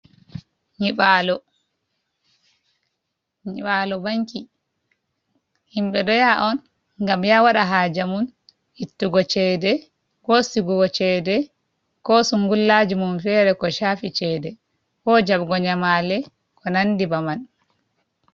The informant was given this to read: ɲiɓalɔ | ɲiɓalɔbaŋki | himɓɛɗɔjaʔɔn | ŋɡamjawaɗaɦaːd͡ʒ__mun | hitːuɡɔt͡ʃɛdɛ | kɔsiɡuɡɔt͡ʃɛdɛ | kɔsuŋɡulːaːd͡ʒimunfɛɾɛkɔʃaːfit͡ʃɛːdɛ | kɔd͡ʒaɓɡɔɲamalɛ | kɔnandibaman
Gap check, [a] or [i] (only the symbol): a